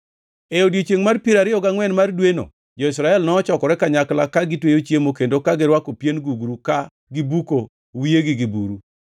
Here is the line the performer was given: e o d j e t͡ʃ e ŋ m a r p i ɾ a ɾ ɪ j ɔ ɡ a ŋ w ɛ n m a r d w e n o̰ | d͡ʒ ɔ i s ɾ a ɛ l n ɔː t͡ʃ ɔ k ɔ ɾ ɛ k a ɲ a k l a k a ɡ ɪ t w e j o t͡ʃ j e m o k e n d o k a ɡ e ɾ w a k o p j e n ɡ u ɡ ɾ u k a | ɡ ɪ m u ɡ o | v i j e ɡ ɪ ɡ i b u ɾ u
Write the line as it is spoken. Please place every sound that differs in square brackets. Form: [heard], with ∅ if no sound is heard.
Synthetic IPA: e o d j e t͡ʃ e ŋ m a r p i ɾ a ɾ ɪ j ɔ ɡ a ŋ w ɛ n m a r d w e n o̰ | d͡ʒ ɔ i s ɾ a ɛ l n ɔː t͡ʃ ɔ k ɔ ɾ ɛ k a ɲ a k l a k a ɡ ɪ t w e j o t͡ʃ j e m o k e n d o k a ɡ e ɾ w a k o p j e n ɡ u ɡ ɾ u k a | ɡ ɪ [b] u [k] o | [w] i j e ɡ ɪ ɡ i b u ɾ u